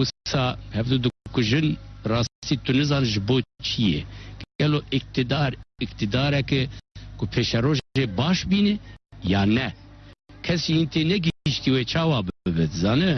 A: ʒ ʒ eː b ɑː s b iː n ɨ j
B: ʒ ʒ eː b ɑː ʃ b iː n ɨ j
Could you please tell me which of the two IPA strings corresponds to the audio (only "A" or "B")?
B